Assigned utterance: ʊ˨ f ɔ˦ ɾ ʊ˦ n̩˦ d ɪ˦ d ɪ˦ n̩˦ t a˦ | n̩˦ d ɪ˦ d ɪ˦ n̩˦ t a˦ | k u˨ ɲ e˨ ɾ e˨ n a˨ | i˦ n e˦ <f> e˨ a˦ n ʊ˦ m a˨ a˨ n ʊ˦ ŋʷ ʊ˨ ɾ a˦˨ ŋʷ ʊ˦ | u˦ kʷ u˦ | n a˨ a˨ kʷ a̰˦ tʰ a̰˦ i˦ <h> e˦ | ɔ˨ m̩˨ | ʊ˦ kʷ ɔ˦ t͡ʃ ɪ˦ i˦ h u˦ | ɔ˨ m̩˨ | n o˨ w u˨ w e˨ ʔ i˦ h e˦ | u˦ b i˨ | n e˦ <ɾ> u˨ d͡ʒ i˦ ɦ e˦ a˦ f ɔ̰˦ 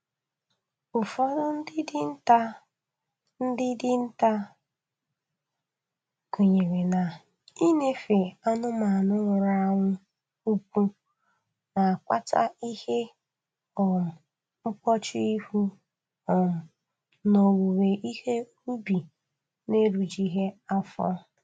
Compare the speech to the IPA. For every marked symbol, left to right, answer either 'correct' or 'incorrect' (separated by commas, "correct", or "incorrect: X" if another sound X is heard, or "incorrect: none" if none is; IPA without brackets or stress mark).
correct, correct, correct